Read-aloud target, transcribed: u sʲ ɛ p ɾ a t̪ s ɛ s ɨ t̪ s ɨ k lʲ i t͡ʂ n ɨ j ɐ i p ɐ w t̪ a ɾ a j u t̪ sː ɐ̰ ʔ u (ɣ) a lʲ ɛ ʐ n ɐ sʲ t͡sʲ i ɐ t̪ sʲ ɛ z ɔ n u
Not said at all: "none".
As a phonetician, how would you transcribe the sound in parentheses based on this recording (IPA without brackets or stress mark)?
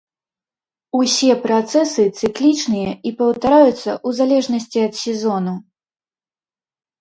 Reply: z